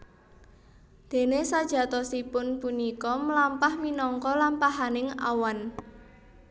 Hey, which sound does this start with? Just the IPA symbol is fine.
d̪̥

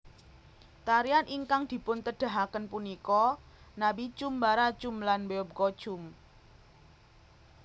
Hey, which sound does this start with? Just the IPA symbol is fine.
t̪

